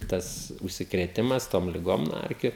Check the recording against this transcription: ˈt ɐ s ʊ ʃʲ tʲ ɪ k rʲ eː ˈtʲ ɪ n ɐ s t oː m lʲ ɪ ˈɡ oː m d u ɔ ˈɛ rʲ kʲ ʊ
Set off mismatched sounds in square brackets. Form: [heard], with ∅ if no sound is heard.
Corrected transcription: ˈt ɐ s ʊ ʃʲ [sʲ] ɪ k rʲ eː ˈtʲ ɪ [m] ɐ s t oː m lʲ ɪ ˈɡ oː m [n] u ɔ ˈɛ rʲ kʲ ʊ